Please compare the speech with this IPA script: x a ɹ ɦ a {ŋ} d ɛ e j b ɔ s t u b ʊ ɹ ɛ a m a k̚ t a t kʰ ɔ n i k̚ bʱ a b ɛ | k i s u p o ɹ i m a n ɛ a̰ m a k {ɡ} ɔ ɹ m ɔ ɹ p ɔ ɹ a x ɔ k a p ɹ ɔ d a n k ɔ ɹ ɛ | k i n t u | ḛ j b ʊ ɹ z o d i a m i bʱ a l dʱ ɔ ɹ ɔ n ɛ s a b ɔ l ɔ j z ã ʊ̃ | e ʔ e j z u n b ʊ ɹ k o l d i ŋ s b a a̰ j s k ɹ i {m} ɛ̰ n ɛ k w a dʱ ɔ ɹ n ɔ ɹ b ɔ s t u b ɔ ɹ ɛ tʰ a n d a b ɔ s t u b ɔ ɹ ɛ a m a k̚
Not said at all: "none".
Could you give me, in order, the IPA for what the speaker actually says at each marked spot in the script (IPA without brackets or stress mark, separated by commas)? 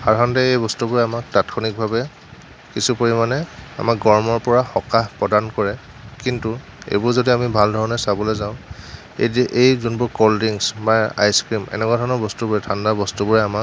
n, ɡ, m